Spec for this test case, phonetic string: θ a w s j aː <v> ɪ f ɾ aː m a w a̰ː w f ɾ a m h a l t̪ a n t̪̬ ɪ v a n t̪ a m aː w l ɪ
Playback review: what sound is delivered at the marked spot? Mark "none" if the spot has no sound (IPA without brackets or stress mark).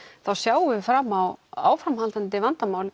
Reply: w